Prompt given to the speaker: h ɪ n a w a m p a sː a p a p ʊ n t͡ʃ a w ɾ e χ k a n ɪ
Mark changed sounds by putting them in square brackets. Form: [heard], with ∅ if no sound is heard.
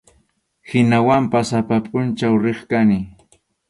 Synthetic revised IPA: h ɪ n a w a m p a [s] a p a [pʼ] ʊ n t͡ʃ a w ɾ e χ k a n ɪ